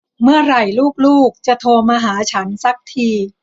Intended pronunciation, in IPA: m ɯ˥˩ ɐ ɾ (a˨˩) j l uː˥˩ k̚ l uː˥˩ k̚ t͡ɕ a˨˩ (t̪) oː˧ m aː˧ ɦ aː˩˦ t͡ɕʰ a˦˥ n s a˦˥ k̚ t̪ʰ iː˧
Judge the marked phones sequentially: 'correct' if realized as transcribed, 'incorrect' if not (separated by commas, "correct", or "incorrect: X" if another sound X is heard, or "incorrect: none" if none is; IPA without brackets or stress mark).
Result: correct, incorrect: t̪ʰ